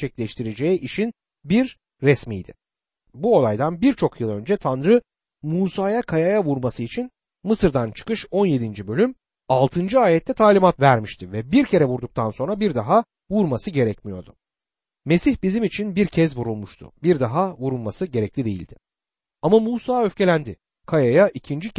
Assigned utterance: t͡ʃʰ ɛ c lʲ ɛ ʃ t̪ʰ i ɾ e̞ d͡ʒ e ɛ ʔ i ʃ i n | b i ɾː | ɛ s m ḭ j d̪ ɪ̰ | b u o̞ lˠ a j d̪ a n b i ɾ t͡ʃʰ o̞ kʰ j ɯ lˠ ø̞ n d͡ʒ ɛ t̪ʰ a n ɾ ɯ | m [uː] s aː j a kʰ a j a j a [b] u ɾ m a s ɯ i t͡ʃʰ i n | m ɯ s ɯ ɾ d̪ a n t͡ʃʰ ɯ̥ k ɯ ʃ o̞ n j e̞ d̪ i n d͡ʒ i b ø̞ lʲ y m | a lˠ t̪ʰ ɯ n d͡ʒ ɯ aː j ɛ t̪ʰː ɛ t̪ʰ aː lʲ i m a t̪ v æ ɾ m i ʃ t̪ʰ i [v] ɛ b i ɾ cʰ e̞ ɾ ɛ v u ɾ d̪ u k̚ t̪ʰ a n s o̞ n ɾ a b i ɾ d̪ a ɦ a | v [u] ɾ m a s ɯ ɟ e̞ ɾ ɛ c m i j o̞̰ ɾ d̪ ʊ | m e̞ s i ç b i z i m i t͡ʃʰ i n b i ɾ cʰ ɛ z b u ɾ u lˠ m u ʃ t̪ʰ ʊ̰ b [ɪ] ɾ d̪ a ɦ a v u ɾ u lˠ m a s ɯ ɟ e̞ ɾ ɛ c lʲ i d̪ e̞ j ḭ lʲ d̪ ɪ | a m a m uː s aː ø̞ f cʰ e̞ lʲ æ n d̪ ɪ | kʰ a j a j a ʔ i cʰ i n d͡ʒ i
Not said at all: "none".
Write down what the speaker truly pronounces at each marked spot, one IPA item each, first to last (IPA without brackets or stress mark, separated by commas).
uː, v, v, u, i